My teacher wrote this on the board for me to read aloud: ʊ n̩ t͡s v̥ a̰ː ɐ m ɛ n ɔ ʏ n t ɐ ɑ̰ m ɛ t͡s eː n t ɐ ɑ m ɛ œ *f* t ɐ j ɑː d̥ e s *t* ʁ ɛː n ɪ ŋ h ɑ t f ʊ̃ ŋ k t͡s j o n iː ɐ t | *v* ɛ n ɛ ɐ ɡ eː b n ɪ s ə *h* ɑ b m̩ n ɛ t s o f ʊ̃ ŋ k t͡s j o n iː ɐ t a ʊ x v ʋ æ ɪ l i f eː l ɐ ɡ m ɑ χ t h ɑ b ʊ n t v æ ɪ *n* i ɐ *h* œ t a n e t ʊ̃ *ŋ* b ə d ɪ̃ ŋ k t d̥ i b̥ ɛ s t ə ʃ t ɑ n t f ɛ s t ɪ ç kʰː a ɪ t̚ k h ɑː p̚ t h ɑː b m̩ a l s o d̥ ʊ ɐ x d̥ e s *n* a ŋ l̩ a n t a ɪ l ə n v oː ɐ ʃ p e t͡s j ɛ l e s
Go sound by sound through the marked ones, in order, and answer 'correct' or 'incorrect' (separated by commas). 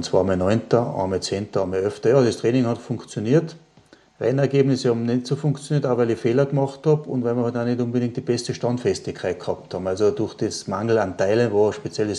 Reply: correct, correct, incorrect, correct, incorrect, correct, incorrect, incorrect